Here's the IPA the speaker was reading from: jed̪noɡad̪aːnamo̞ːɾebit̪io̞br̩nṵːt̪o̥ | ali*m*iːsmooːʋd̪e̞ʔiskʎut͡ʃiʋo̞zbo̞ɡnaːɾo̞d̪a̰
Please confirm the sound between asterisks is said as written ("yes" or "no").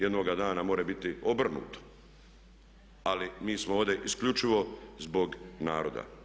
yes